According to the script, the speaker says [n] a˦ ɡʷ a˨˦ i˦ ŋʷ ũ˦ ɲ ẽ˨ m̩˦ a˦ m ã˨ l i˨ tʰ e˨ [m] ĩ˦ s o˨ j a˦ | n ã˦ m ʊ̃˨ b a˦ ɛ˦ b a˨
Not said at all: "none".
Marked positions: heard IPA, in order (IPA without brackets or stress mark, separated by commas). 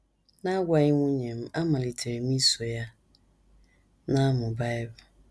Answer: n, m